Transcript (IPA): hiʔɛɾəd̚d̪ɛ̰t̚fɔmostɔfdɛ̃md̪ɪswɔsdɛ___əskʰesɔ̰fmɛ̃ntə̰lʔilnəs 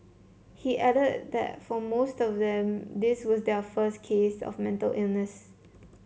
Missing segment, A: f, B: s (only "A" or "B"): A